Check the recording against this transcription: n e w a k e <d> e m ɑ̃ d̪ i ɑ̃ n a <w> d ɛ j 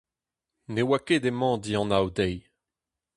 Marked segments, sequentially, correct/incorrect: correct, correct

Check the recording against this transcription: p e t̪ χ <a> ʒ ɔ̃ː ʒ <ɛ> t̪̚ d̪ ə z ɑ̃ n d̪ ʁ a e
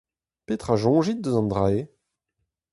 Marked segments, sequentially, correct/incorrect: correct, incorrect

